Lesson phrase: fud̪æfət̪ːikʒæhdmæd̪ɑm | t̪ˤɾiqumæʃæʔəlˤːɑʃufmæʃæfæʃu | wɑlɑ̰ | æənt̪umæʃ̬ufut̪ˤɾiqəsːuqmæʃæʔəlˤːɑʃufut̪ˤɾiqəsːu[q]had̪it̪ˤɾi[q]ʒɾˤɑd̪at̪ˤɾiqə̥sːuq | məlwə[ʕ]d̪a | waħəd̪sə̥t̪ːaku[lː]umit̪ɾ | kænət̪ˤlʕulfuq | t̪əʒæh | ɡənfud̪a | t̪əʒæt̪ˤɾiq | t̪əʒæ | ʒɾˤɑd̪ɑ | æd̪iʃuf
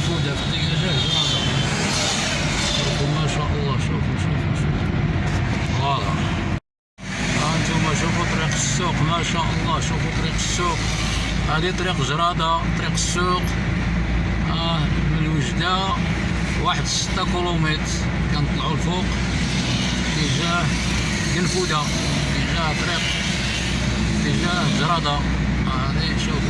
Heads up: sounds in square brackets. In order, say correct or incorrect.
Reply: correct, correct, incorrect, incorrect

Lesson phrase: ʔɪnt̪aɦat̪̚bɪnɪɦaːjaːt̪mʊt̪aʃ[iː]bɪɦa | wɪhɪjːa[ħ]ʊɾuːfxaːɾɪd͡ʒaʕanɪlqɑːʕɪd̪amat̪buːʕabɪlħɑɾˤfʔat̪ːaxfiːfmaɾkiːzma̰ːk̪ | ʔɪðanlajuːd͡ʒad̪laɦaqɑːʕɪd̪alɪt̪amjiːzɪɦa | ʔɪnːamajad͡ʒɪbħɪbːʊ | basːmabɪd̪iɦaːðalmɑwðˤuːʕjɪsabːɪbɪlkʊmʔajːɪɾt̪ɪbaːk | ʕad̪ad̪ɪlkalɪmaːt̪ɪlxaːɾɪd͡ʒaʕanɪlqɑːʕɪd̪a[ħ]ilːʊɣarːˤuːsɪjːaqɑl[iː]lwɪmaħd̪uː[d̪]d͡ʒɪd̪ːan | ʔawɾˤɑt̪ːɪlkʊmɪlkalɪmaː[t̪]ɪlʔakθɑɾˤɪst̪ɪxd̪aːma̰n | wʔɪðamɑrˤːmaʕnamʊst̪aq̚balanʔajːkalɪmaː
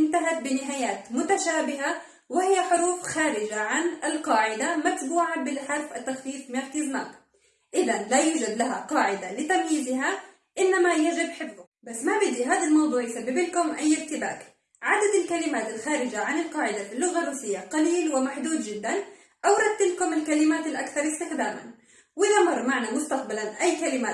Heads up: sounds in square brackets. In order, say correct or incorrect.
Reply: incorrect, correct, incorrect, correct, correct, correct

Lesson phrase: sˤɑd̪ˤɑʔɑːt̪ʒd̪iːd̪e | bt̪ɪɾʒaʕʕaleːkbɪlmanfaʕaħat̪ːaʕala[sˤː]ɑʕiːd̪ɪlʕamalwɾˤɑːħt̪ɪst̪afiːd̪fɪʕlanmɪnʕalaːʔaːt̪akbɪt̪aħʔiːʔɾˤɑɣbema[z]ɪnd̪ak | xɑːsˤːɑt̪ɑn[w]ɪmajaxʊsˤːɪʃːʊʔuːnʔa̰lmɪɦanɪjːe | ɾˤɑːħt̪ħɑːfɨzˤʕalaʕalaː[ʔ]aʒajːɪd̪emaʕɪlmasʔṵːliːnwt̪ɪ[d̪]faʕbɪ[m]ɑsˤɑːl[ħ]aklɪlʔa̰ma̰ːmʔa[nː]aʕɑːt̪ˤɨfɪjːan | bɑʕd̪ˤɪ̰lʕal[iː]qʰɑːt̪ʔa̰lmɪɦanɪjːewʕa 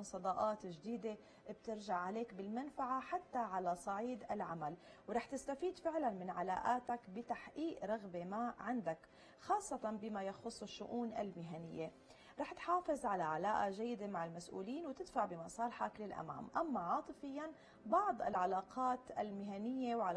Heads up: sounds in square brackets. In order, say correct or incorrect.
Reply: incorrect, incorrect, incorrect, correct, correct, correct, correct, incorrect, incorrect

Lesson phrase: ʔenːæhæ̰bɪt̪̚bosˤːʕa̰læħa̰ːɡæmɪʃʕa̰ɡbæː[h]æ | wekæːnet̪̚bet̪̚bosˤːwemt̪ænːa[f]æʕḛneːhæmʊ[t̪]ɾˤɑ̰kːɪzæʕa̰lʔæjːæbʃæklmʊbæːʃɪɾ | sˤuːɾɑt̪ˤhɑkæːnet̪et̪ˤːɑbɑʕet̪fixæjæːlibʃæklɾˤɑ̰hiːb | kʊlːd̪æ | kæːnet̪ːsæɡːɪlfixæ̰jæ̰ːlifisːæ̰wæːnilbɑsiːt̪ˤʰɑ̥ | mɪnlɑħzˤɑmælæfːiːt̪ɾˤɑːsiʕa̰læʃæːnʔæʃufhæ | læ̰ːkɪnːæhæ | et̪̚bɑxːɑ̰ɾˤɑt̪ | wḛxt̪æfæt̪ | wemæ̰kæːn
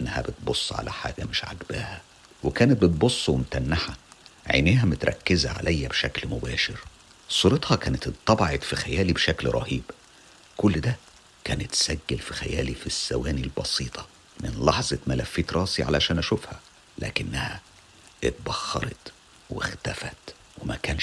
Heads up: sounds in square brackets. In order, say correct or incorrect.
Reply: correct, incorrect, correct

